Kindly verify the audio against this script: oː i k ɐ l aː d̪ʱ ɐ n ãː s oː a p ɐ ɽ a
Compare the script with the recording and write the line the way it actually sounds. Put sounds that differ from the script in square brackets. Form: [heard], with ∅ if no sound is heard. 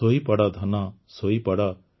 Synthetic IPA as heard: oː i [p] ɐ [ɽ] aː d̪ʱ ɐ n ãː s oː [i] p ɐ ɽ a

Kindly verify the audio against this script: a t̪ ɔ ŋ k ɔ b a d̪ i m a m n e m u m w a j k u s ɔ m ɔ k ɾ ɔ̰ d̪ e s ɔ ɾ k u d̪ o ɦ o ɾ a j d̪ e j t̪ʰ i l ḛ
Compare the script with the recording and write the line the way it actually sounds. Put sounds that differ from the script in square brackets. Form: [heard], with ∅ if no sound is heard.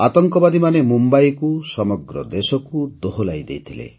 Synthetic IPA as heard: a t̪ ɔ ŋ k ɔ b a d̪ i m a [∅] n e m u m [b] a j k u s ɔ m ɔ [ɡ] ɾ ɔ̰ d̪ e s ɔ [∅] k u d̪ o ɦ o [l] a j d̪ e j t̪ʰ i l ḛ

